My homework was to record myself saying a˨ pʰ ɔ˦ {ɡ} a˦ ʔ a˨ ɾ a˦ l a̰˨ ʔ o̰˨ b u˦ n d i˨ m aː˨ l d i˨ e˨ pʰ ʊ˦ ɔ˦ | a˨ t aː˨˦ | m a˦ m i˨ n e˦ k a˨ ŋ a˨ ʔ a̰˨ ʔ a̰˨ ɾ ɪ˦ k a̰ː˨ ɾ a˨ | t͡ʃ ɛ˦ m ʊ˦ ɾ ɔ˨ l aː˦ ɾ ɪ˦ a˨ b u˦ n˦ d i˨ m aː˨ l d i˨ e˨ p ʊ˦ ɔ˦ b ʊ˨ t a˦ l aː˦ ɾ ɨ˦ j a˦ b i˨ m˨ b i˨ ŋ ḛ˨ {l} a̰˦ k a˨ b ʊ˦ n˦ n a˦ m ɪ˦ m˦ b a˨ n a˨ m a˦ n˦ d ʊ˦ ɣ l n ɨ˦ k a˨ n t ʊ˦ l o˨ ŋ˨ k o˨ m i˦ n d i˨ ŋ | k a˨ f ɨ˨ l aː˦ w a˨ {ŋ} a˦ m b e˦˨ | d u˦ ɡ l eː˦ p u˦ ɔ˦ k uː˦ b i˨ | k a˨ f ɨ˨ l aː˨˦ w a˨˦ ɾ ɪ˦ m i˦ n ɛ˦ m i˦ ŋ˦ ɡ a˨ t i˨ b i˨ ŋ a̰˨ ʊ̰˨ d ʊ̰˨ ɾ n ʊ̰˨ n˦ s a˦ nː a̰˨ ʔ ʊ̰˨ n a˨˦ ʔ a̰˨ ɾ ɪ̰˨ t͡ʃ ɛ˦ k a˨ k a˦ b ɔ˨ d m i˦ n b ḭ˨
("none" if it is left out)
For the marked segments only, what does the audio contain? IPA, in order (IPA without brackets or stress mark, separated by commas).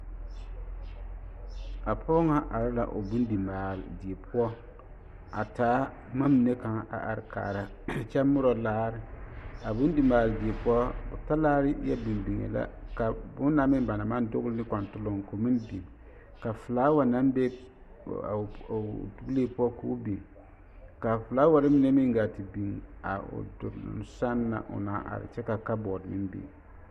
ŋ, l, n